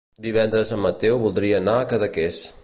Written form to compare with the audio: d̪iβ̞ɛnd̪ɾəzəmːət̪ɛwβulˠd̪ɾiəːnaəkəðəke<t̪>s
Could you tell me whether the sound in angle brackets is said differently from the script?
yes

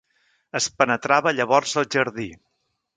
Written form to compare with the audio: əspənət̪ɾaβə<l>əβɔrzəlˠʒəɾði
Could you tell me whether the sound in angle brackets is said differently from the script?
yes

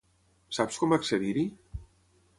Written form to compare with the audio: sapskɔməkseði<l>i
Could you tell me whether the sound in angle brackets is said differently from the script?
yes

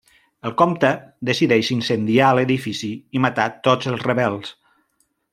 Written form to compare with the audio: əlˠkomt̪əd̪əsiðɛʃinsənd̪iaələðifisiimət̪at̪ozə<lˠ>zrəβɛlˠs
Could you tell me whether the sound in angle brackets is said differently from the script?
no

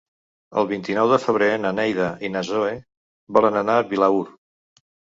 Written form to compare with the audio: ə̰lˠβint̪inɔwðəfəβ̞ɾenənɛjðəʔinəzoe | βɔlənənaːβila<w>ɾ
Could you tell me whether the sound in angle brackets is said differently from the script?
yes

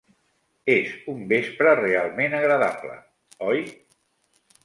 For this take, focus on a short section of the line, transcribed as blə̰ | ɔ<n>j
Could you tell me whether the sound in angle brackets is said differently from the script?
yes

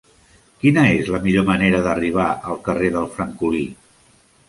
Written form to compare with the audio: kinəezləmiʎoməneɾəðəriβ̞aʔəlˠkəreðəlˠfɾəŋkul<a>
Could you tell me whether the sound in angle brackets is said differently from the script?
yes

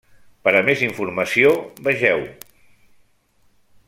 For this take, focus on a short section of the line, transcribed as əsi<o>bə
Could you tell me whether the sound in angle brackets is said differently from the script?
no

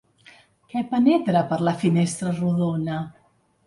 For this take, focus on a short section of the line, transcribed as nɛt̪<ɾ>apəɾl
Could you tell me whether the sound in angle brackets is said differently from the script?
no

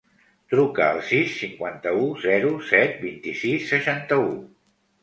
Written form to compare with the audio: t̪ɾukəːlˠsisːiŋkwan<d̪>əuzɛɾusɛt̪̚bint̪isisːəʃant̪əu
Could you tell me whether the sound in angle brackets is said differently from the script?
yes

